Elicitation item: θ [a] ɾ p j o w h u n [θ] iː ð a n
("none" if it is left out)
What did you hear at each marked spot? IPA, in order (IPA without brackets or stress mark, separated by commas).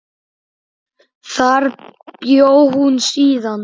a, s